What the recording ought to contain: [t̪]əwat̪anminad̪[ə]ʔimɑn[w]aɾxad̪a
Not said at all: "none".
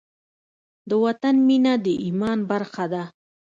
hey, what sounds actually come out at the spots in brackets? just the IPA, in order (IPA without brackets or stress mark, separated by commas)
d̪, ə, b